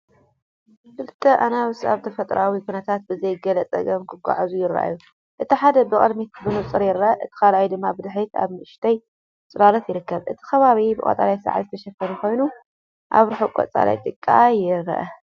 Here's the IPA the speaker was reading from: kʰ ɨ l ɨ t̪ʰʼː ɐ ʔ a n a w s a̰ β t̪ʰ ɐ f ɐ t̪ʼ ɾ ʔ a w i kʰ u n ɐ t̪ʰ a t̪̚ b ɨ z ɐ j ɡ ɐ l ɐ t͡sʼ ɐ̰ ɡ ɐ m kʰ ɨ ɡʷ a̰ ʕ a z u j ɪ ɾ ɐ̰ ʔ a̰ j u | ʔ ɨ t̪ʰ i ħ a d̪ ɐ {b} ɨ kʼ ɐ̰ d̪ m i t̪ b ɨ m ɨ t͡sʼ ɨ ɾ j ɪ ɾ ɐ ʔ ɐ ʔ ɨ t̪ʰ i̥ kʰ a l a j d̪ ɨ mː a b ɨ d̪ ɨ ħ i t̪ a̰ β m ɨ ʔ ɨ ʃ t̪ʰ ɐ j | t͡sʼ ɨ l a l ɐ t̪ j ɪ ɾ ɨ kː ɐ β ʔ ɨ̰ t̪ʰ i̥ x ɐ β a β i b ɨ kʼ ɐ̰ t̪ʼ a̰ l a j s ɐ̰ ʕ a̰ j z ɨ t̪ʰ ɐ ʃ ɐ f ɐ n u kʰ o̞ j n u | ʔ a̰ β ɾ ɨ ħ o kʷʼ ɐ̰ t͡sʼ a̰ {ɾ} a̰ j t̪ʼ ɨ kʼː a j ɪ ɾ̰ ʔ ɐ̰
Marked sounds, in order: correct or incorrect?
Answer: correct, incorrect

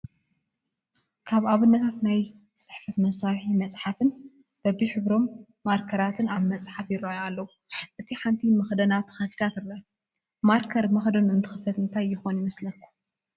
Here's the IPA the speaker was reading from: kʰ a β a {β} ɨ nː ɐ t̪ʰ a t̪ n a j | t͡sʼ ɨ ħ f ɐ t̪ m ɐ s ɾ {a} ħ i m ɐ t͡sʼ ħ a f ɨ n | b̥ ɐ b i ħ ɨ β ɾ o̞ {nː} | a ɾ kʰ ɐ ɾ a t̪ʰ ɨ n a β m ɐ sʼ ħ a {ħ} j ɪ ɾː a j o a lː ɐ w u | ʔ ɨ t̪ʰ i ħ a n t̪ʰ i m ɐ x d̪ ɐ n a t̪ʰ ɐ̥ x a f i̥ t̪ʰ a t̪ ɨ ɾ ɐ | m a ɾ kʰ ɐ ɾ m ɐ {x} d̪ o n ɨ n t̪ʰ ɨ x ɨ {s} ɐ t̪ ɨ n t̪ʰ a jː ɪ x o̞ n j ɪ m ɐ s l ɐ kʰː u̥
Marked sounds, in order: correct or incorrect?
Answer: correct, correct, incorrect, incorrect, correct, incorrect

